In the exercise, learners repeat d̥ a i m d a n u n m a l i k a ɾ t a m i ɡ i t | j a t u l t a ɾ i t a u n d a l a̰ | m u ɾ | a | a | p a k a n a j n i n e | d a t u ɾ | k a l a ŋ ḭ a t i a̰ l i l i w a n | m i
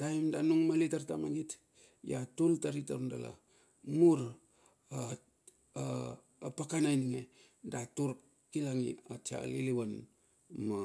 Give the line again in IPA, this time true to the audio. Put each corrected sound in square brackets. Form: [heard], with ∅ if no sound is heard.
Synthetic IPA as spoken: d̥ a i m d a n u [ŋ] m a l i [t] a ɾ t a m [a] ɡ i t | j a t u l t a ɾ i t a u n d a l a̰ | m u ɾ | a | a | p a k a n a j n i [ŋ] e | d a t u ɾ | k [i] l a ŋ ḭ a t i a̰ l i l i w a n | m [a]

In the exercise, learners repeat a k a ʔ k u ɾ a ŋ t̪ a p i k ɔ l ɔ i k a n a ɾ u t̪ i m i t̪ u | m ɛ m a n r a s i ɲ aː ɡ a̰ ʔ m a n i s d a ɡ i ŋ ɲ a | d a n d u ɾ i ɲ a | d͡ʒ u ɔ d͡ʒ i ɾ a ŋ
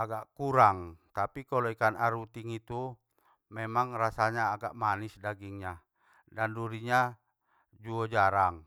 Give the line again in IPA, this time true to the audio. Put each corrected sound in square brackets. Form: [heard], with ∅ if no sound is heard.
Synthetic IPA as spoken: a [ɡ] a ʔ k u ɾ a ŋ t̪ a p i k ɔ l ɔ i k a n a ɾ u t̪ i [ŋ] i t̪ u | m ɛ m a [ŋ] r a s [a] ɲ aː ɡ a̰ ʔ m a n i s d a ɡ i ŋ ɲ a | d a n d u ɾ i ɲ a | d͡ʒ u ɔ d͡ʒ [a] ɾ a ŋ

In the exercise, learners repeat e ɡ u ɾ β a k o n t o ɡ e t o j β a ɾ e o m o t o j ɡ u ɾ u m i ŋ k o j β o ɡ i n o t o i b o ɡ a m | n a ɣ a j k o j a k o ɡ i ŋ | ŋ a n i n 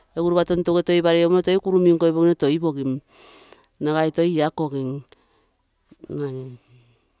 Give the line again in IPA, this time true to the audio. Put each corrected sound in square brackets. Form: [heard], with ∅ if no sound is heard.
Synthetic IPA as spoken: e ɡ u ɾ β a [t] o n t o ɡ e t o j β a ɾ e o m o t o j [k] u ɾ u m i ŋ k o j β o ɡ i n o t o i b o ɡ [i] m | n a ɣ a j [t] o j a k o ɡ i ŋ | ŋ a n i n

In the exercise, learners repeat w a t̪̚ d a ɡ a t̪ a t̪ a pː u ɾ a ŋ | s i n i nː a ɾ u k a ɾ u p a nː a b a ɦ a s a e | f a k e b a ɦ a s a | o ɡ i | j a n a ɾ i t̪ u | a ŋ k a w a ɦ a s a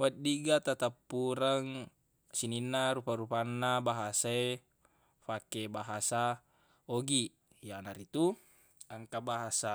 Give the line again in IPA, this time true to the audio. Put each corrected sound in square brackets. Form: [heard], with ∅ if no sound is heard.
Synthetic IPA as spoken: w a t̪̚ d [i] ɡ a t̪ a t̪ a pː u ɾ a ŋ | s i n i nː a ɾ u [p] a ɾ u p a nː a b a ɦ a s a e | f a k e b a ɦ a s a | o ɡ i | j a n a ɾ i t̪ u | a ŋ k a [b] a ɦ a s a

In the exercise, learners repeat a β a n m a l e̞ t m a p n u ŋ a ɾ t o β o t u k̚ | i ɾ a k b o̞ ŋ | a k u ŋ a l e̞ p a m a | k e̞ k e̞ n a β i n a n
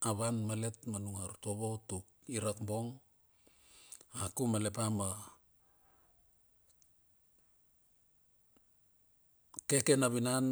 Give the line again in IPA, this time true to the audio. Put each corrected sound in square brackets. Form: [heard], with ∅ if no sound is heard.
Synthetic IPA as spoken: a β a n m a l e̞ t m a [∅] n u ŋ a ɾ t o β o t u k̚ | i ɾ a k b o̞ ŋ | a k u [m] a l e̞ p a m a | k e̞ k e̞ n a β i n a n

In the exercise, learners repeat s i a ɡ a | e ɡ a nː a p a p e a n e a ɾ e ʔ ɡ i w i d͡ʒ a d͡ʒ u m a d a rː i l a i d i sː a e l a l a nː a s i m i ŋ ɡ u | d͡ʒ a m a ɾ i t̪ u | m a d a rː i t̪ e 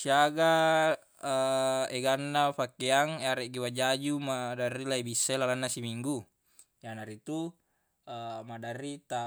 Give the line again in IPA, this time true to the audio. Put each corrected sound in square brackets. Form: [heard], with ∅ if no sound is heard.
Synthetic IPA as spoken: s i a ɡ a | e ɡ a nː a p a [k] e a [ŋ] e a ɾ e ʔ ɡ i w [a] d͡ʒ a d͡ʒ u m a d a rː i l a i [b] i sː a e l a l a nː a s i m i ŋ ɡ u | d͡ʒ a [n] a ɾ i t̪ u | m a d a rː i t̪ [a]

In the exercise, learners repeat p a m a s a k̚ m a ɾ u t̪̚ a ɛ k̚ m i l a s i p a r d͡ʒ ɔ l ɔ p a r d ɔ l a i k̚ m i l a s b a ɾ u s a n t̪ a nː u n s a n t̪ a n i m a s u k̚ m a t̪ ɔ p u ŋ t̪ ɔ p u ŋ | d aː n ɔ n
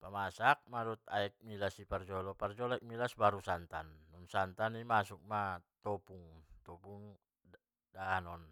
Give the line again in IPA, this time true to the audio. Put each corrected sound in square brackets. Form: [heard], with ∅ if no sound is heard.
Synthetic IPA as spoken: p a m a s a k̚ m a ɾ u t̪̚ a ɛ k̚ m i l a s i p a r d͡ʒ ɔ l ɔ p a r [d͡ʒ] ɔ l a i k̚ m i l a s b a ɾ u s a n t̪ a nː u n s a n t̪ a n i m a s u k̚ m a t̪ ɔ p u ŋ t̪ ɔ p u ŋ | d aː n ɔ n

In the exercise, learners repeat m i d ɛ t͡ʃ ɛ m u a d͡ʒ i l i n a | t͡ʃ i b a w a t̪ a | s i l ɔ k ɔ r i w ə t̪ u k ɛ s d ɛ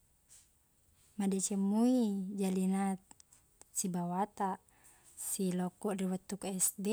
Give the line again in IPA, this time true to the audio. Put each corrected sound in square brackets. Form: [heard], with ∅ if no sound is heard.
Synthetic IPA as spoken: m [a] d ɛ t͡ʃ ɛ m u [i] d͡ʒ [a] l i n a | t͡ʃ i b a w a t̪ a | s i l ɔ k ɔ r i w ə t̪ u k ɛ s d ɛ

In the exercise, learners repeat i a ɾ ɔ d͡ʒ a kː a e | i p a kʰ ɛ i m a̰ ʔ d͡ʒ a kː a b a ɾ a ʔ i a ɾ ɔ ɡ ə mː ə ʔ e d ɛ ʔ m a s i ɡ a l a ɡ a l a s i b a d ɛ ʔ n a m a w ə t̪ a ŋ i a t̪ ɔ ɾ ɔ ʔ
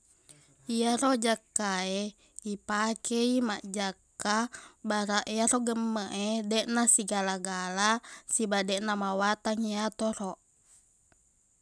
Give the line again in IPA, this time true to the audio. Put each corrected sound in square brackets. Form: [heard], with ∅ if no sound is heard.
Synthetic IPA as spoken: i a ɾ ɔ d͡ʒ a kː a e | i p a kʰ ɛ i m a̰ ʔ d͡ʒ a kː a b a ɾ a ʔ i a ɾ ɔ ɡ ə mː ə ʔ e d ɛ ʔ [n] a s i ɡ a l a ɡ a l a s i b a d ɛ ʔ n a m a w [a] t̪ a ŋ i a t̪ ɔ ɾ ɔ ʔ

